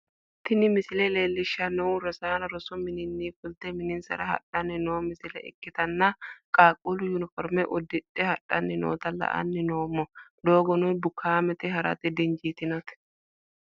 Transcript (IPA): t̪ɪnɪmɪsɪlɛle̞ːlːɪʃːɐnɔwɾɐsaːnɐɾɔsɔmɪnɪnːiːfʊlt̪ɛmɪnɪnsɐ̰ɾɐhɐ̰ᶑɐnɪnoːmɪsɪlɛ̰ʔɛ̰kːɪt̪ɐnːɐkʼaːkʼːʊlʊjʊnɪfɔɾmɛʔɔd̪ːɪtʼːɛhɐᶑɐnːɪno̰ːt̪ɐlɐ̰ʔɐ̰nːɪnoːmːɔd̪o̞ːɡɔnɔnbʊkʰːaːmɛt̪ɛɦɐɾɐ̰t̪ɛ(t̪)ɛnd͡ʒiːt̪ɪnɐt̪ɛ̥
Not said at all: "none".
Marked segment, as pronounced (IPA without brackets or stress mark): d̪